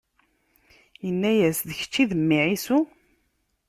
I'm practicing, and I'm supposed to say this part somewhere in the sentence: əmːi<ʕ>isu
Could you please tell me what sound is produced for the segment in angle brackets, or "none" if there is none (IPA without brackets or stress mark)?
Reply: ʕ